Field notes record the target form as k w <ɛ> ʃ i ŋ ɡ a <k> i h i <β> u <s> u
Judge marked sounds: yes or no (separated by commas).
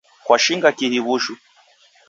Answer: no, yes, yes, no